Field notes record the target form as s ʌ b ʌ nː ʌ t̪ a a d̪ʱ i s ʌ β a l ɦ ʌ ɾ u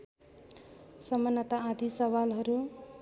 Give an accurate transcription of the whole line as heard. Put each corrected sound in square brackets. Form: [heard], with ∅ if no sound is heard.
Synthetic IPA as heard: s ʌ [m] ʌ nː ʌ t̪ a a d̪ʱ i s ʌ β a l ɦ ʌ ɾ u